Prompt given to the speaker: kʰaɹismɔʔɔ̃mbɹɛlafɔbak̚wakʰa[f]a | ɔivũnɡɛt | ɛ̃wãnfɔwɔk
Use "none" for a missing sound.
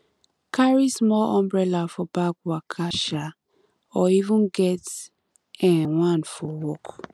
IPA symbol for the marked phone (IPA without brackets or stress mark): ʃ